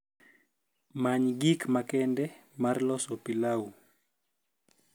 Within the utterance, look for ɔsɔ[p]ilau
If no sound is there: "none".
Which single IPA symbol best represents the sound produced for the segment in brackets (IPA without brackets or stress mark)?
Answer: p